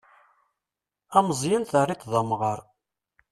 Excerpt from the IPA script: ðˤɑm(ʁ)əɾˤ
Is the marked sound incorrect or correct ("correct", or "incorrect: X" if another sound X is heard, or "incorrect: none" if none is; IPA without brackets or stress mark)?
correct